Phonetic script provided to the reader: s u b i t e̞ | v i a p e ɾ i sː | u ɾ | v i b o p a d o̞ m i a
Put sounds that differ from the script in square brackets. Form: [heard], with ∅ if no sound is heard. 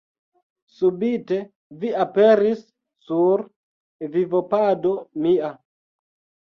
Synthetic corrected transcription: s u b i t e̞ | v i a p e ɾ i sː | u ɾ | v i [v] o p a d o̞ m i a